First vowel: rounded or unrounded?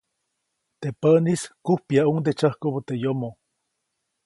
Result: unrounded